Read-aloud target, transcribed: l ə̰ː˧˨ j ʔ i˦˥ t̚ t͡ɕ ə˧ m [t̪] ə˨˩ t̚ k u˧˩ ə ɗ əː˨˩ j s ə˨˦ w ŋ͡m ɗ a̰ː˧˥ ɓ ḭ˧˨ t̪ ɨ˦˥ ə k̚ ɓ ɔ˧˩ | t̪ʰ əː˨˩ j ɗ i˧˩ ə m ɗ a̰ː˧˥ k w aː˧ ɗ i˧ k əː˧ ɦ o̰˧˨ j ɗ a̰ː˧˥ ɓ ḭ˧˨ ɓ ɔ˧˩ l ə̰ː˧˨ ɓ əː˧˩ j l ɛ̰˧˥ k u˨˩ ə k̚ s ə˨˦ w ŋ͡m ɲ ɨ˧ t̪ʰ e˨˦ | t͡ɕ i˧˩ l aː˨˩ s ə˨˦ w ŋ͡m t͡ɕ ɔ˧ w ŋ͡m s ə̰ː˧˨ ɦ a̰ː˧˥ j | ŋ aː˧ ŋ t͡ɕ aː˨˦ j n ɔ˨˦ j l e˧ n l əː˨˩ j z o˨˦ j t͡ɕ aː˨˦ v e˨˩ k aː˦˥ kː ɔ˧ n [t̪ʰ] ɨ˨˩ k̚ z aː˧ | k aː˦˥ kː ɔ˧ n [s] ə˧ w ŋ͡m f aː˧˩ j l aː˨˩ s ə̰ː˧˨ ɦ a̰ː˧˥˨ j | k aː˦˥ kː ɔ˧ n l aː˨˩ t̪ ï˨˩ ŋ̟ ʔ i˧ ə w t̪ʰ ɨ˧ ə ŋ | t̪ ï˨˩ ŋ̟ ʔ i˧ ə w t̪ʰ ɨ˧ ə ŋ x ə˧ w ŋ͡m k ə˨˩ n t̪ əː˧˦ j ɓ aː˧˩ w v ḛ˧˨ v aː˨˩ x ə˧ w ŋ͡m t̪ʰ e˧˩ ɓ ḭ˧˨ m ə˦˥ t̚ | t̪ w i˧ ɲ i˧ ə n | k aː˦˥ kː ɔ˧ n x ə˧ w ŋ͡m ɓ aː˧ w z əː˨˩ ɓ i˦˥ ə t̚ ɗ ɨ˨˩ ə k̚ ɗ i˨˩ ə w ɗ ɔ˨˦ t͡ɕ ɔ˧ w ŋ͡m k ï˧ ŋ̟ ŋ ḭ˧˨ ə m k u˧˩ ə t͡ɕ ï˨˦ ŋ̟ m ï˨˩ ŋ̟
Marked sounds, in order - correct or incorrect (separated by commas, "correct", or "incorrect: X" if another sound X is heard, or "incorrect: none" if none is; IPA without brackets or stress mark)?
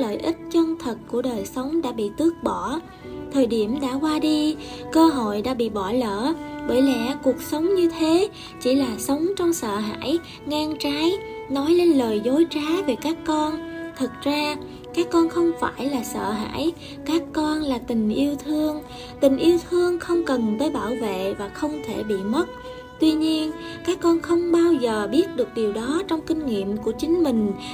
incorrect: t̪ʰ, correct, incorrect: x